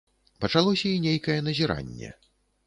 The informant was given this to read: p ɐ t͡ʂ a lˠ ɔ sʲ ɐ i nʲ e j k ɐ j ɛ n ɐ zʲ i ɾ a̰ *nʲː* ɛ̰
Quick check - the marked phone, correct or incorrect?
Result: correct